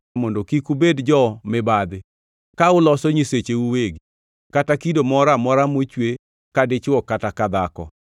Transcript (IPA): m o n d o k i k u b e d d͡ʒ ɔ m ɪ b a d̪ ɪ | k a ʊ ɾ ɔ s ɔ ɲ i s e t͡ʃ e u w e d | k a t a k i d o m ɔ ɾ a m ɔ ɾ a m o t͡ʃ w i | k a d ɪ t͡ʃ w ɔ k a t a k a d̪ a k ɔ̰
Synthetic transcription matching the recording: m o n d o k i k u b e d d͡ʒ ɔ m ɪ b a d̪ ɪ | k a ʊ l ɔ s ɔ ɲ i s e t͡ʃ e u w e ɡ | k a t a k i d o m ɔ ɾ a m ɔ ɾ a m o t͡ʃ w e | k a d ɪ t͡ʃ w ɔ k a t a k a d̪ a k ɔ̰